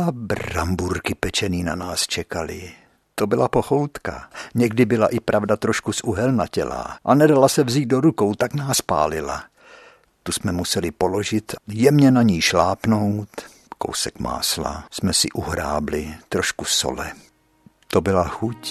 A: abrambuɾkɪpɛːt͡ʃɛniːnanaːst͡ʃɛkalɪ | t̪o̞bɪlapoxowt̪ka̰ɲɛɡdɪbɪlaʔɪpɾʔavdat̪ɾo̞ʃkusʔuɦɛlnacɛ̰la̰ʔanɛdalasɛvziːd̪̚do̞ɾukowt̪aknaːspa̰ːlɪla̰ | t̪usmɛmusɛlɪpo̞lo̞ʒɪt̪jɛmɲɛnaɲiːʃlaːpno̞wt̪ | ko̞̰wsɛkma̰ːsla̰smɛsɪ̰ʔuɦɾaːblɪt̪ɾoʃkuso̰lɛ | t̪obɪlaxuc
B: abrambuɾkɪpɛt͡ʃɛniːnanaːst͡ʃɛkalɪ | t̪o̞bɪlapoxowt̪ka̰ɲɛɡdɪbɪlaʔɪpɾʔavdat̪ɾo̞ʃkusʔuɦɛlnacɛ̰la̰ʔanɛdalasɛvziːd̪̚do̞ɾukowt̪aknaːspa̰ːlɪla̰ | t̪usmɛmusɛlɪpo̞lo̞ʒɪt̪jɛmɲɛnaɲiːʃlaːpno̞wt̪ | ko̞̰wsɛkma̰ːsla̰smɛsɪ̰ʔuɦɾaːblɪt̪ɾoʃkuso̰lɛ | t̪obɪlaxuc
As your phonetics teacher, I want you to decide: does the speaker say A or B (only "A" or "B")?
B